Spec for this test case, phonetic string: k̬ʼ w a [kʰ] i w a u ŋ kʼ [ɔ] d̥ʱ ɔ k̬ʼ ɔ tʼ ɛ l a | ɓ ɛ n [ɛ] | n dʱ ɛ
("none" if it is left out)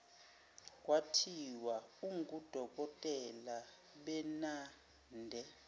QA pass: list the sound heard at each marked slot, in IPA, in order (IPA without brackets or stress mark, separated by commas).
tʰ, u, a